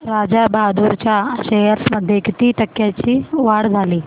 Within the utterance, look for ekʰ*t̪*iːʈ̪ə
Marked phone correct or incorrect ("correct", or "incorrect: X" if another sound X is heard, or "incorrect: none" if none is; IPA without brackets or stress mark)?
correct